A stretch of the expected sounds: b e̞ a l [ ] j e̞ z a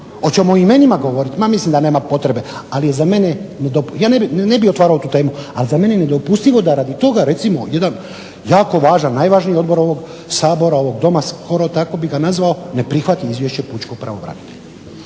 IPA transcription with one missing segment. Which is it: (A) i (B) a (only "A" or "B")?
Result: A